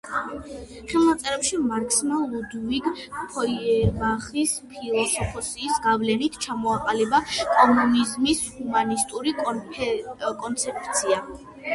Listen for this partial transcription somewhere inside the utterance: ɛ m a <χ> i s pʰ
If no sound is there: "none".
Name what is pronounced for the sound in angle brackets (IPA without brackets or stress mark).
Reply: χ